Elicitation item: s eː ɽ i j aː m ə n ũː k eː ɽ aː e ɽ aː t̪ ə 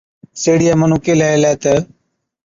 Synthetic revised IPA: s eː ɽ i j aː m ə n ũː k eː l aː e l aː t̪ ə